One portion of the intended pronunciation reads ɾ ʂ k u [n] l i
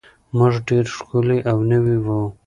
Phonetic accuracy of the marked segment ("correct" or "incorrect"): incorrect